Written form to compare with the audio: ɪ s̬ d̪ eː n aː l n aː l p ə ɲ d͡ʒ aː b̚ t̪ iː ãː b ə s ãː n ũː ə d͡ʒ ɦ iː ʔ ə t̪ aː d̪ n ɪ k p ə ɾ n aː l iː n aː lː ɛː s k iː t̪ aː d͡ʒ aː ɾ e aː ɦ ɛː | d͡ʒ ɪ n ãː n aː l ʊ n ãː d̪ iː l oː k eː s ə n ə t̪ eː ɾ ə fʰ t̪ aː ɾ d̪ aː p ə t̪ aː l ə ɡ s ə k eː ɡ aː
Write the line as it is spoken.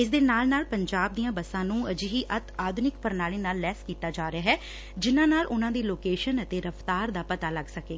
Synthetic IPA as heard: ɪ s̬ d̪ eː n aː l n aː l p ə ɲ d͡ʒ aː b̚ d̪ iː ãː b ə s ãː n ũː ə d͡ʒ ɦ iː ʔ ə t̪ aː d̪ n ɪ k p ə ɾ n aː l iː n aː lː ɛː s k iː t̪ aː d͡ʒ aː ɾ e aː ɦ ɛː | d͡ʒ ɪ n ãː n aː l ʊ n ãː d̪ iː l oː k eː ʃ ə n ə t̪ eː ɾ ə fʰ t̪ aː ɾ d̪ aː p ə t̪ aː l ə ɡ s ə k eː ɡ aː

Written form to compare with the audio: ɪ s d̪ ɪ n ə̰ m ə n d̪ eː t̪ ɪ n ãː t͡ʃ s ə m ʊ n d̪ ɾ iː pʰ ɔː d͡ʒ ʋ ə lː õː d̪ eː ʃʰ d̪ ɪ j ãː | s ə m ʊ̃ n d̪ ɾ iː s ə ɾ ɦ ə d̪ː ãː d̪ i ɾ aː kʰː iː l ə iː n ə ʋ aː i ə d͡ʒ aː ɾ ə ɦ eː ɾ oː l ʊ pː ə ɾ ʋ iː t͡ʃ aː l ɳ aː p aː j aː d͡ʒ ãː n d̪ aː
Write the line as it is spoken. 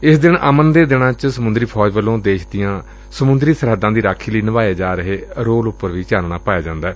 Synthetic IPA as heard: ɪ s d̪ ɪ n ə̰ m ə n d̪ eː d̪ ɪ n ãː t͡ʃ s ə m ʊ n d̪ ɾ iː pʰ ɔː d͡ʒ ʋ ə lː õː d̪ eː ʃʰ d̪ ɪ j ãː | s ə m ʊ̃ n d̪ ɾ iː s ə ɾ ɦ ə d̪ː ãː d̪ iː ɾ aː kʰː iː l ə iː n ə ʋ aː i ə d͡ʒ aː ɾ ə ɦ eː ɾ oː l ʊ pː ə ɾ ʋ iː t͡ʃ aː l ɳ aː p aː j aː d͡ʒ ãː n d̪ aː

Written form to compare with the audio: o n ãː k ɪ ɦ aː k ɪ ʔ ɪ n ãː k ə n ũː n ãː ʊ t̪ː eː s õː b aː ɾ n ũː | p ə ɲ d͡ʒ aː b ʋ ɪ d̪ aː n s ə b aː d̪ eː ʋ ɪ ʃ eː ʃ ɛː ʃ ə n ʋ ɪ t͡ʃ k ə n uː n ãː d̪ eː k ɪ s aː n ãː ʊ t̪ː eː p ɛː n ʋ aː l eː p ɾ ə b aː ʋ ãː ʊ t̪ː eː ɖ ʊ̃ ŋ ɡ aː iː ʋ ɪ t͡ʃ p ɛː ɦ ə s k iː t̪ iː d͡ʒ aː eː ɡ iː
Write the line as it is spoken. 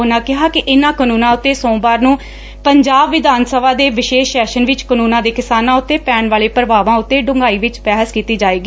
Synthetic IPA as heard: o n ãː k ɪ ɦ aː k ɪ ʔ ɪ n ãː k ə n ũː n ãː ʊ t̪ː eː s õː b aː ɾ n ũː | p ə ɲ d͡ʒ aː b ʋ ɪ d̪ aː n s ə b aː d̪ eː ʋ ɪ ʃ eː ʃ ɛː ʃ ə n ʋ ɪ t͡ʃ k ə n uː n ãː d̪ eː k ɪ s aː n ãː ʊ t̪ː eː p ɛː n ʋ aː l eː p ɾ ə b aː ʋ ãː ʊ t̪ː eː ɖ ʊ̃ ŋ ɡ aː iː ʋ ɪ t͡ʃ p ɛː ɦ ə s k iː t̪ iː d͡ʒ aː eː ɡ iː

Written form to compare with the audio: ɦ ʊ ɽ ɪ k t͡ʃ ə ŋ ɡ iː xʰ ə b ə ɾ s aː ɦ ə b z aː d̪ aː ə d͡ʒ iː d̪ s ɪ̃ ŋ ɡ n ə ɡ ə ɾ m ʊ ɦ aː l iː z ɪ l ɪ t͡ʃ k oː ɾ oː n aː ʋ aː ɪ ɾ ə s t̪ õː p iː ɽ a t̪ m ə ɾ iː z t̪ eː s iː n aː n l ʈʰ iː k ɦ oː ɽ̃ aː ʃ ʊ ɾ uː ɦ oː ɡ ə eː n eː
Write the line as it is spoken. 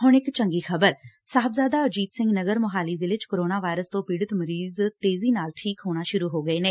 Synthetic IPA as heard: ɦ ʊ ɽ ɪ k t͡ʃ ə ŋ ɡ iː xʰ ə b ə ɾ s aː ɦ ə b z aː d̪ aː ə d͡ʒ iː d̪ s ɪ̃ ŋ ɡ n ə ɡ ə ɾ m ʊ ɦ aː l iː z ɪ l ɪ t͡ʃ k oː ɾ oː n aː ʋ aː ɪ ɾ ə s t̪ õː p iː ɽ ə t̪ m ə ɾ iː z t̪ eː z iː n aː l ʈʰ iː k ɦ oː ɽ̃ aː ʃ ʊ ɾ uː ɦ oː ɡ ə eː n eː

